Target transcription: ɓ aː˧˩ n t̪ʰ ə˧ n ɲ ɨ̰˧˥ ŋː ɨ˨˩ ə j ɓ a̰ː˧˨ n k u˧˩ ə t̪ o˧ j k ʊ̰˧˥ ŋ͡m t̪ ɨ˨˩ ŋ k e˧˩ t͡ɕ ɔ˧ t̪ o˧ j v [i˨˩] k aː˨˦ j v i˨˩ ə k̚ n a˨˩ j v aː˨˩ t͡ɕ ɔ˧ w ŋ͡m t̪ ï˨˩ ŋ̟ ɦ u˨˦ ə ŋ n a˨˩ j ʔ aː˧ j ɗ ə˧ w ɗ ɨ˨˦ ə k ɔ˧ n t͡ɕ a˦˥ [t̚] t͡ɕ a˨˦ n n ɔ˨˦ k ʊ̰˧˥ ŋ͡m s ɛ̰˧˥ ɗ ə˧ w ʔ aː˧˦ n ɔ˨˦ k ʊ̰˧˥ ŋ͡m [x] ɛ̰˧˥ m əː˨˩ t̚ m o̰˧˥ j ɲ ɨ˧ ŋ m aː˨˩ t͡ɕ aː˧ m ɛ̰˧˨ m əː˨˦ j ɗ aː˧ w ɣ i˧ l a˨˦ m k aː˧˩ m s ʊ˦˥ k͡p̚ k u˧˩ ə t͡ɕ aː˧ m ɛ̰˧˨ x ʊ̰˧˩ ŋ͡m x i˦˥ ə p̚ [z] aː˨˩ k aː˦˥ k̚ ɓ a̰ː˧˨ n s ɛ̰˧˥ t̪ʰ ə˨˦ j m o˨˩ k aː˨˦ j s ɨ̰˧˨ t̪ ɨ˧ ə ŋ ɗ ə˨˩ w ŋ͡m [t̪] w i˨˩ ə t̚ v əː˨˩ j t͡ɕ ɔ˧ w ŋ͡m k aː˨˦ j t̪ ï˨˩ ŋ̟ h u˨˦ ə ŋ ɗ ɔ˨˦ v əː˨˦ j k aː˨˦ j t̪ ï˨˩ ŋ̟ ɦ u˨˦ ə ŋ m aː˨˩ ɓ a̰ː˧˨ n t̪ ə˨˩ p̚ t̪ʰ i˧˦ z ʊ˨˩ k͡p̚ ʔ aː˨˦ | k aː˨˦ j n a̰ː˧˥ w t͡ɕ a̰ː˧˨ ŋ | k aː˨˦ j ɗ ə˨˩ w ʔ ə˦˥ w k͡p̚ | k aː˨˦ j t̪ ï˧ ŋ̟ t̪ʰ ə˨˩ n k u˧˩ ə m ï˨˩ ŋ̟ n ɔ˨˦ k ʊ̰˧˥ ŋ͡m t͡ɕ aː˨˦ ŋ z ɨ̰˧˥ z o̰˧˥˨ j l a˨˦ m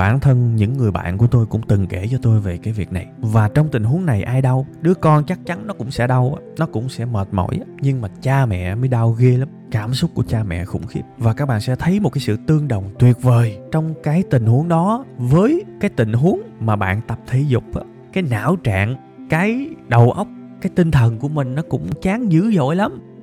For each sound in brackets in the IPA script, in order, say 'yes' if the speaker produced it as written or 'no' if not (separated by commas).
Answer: no, no, no, no, yes